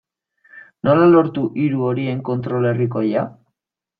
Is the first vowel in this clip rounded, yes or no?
yes